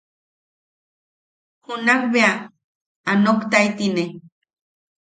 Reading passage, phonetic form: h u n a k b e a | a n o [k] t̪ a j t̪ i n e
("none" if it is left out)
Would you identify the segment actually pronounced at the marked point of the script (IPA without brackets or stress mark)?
k